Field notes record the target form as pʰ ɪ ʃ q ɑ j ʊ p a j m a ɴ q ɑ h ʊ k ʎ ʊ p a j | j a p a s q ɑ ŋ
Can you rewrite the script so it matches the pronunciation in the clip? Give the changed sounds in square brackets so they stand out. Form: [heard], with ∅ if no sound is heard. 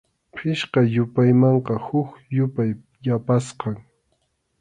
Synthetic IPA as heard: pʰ ɪ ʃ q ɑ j ʊ p a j m [ɑ] ɴ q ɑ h ʊ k [j] ʊ p a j | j a p a s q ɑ ŋ

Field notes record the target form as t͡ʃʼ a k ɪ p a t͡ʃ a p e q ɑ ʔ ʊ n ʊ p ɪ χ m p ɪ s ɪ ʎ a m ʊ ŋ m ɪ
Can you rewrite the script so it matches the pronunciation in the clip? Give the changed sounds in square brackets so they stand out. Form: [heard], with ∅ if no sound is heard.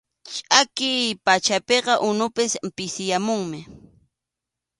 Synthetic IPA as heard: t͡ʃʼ a k ɪ p a t͡ʃ a p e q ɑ ʔ ʊ n ʊ p ɪ [s] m p ɪ s ɪ [j] a m ʊ ŋ m ɪ

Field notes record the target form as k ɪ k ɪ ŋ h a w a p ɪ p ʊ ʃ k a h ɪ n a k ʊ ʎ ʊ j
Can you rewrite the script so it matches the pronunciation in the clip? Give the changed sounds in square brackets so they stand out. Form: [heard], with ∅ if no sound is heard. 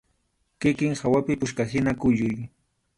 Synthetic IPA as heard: k ɪ k ɪ ŋ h a w a p ɪ p ʊ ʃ k a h ɪ n a k ʊ ʎ ʊ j

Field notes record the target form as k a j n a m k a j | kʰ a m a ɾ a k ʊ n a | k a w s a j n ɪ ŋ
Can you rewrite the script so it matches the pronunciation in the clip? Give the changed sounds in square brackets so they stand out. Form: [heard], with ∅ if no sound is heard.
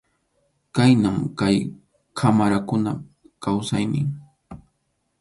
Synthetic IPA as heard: k a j n a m k a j | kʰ a m a ɾ a k ʊ n a | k a w s a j n ɪ ŋ

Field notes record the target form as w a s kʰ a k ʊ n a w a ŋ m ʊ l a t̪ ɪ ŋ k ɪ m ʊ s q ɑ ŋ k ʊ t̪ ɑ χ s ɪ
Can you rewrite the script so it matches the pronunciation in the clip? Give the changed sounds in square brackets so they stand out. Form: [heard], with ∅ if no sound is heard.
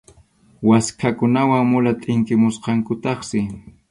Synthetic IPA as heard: w a s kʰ a k ʊ n a w a ŋ m ʊ l a [t̪ʼ] ɪ ŋ k ɪ m ʊ s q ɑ ŋ k ʊ t̪ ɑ χ s ɪ

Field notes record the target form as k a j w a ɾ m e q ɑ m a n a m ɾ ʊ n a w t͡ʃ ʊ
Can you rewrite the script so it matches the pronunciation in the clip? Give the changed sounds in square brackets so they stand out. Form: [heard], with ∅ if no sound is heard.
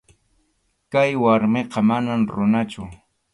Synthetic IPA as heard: k a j w a ɾ m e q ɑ m a n a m ɾ ʊ n a [∅] t͡ʃ ʊ

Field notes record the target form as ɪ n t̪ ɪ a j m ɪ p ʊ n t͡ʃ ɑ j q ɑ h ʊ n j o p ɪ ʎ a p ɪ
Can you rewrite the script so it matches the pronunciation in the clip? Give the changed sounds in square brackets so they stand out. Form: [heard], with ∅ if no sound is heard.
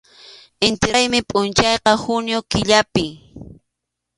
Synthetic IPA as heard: ɪ n t̪ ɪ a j m ɪ [pʼ] ʊ n t͡ʃ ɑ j q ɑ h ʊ n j o [k] ɪ ʎ a p ɪ

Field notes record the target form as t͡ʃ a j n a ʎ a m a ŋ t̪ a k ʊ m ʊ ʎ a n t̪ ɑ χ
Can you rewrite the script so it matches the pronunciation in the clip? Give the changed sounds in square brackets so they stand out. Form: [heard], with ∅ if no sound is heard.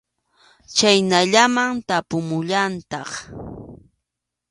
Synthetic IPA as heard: t͡ʃ a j n a ʎ a m a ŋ t̪ a [p] ʊ m ʊ ʎ a n t̪ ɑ χ

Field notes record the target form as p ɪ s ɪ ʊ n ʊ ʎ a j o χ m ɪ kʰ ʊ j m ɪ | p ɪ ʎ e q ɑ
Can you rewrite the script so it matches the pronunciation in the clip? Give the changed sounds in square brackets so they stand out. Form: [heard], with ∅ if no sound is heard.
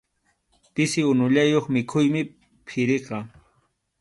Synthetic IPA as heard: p ɪ s ɪ ʊ n ʊ ʎ a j o χ m ɪ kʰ ʊ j m ɪ | [pʰ] ɪ [ɾ] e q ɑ

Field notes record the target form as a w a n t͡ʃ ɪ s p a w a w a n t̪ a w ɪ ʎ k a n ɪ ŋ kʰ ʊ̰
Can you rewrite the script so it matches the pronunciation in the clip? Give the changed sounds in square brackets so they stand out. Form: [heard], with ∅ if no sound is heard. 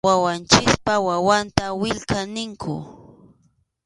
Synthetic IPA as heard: a w a n t͡ʃ ɪ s p a w a w a n t̪ a w ɪ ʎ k a n ɪ ŋ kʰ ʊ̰

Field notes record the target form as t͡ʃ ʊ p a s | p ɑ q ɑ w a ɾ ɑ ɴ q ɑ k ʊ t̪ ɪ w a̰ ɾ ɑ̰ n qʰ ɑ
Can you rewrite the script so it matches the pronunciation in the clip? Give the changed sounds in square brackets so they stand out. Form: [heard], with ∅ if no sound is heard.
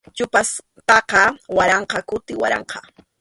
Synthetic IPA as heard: t͡ʃ ʊ p a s | p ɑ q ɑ w a ɾ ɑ ɴ q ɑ k ʊ t̪ ɪ w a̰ ɾ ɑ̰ [ɴ] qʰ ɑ

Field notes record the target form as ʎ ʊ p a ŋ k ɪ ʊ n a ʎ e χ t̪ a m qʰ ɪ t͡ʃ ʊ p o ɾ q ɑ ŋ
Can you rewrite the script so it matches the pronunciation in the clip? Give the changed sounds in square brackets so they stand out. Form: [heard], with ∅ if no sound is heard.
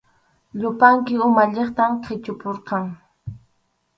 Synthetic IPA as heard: ʎ ʊ p a ŋ k ɪ ʊ [m] a ʎ e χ t̪ a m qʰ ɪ t͡ʃ ʊ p o ɾ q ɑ ŋ

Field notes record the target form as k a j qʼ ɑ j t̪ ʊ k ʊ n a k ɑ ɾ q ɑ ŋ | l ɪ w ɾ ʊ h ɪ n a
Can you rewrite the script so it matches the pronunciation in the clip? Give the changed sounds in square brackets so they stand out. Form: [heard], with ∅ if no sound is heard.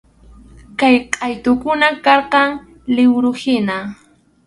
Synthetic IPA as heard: k a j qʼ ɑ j t̪ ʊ k ʊ n a k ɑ ɾ q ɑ ŋ | l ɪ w ɾ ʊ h ɪ n a

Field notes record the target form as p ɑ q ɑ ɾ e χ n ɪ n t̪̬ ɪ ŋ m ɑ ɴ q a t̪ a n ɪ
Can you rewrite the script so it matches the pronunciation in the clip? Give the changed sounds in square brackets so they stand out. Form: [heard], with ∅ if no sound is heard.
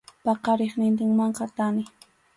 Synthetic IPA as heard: p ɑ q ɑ ɾ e χ n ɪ n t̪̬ ɪ ŋ m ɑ ɴ q [ɑ] t̪ a n ɪ

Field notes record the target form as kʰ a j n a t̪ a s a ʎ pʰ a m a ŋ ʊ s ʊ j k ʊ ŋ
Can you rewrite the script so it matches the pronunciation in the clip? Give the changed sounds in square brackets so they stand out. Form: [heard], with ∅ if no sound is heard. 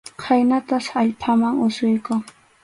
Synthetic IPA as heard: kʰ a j n a t̪ a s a ʎ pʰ a m a ŋ ʊ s ʊ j k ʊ ŋ

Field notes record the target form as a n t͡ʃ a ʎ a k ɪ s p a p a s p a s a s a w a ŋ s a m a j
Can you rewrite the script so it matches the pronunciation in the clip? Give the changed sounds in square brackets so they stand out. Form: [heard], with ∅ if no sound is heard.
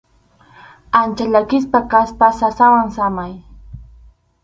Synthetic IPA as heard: a n t͡ʃ a ʎ a k ɪ s p a [k] a s p a s a s a w a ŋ s a m a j

